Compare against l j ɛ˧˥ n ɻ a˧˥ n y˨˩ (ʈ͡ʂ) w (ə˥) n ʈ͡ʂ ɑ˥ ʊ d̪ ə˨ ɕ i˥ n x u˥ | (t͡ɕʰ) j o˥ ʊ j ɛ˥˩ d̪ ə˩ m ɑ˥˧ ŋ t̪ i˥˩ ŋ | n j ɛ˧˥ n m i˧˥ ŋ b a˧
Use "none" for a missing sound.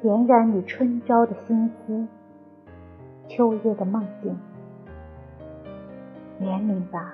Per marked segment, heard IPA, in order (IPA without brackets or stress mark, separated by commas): ʈ͡ʂʰ, ə˥, t͡ɕʰ